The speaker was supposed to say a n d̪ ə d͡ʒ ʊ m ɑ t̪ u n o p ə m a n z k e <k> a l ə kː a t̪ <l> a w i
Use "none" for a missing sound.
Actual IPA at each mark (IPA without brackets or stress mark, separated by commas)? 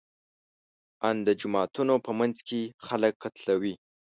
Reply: x, l